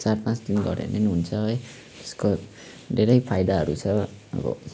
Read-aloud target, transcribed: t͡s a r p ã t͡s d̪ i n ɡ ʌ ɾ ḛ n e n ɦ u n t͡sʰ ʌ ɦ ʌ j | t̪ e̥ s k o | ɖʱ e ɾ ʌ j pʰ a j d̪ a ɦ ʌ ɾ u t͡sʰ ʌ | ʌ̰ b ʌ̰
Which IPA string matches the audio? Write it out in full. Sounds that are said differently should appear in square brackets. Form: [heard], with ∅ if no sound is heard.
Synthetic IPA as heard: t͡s a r p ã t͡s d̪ i n ɡ ʌ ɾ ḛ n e n ɦ u n t͡sʰ ʌ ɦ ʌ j | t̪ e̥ s k o | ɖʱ e ɾ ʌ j pʰ a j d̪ a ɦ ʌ ɾ u t͡sʰ ʌ | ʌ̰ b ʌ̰

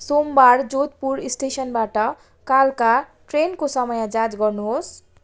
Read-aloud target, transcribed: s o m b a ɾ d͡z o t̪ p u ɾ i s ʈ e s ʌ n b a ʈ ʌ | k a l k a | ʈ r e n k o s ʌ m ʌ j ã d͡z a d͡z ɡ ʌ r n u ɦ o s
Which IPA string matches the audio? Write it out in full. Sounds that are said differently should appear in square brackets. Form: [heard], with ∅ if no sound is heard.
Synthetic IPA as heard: s o m b a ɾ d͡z o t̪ p u ɾ i s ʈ e s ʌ n b a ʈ ʌ | k a l k a | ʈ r e n k o s ʌ m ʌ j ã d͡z a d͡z ɡ ʌ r n u ɦ o s

